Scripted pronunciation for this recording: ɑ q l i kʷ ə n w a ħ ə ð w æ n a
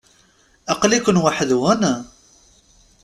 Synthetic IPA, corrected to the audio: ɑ q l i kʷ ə n w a ħ ə ð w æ n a